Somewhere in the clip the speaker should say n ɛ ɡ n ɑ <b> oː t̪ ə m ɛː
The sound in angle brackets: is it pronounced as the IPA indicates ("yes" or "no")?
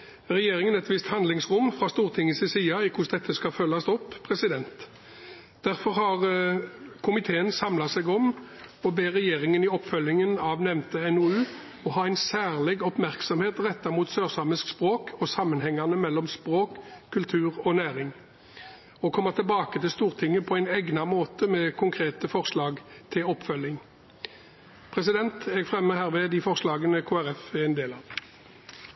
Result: no